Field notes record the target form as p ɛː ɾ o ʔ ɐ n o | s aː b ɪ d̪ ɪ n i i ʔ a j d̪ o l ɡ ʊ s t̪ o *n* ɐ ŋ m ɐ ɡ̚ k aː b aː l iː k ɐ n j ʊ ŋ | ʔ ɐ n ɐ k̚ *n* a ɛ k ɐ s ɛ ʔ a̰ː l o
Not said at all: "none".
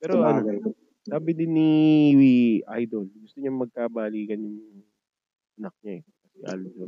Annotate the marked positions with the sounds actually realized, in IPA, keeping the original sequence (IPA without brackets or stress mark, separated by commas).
ɲ, ɲ